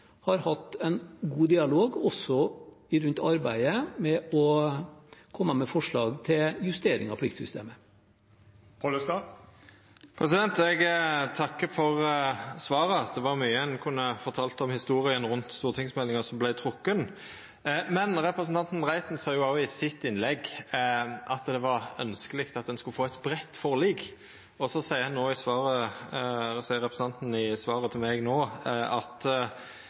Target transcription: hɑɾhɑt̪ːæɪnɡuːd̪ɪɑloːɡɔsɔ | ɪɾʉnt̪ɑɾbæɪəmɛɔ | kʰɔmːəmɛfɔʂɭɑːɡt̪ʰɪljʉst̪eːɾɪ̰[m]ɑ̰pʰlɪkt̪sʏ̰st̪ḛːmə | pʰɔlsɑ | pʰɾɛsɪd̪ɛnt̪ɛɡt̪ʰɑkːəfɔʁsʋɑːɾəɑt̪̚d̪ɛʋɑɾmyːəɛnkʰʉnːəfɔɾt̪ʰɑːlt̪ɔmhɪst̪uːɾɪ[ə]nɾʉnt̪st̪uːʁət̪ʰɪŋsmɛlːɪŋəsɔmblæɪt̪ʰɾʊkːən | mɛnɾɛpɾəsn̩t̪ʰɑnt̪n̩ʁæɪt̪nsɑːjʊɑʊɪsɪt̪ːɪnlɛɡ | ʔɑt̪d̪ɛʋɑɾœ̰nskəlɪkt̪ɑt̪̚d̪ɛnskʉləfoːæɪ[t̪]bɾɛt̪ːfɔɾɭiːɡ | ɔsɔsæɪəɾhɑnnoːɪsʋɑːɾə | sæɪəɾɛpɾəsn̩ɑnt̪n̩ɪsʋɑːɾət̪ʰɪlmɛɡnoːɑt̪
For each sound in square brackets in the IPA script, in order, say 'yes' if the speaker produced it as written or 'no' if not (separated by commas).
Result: no, yes, yes